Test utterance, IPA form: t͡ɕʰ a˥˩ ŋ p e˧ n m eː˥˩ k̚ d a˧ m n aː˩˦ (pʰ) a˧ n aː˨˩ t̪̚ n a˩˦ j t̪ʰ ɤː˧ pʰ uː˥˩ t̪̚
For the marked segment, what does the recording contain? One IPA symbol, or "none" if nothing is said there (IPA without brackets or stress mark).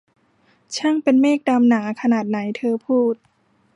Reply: kʰ